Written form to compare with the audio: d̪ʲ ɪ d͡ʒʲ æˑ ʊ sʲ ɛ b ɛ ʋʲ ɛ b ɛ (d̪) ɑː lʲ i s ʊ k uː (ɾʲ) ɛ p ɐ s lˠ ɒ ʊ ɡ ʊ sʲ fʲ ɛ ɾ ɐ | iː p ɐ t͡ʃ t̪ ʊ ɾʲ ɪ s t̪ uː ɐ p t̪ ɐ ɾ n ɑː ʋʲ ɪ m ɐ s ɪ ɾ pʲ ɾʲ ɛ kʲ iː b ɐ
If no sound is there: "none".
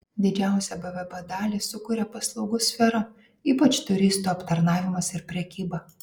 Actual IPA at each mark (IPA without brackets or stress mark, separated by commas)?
d̪, ɾʲ